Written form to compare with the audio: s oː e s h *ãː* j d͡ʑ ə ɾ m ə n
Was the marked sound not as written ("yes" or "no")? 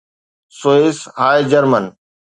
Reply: yes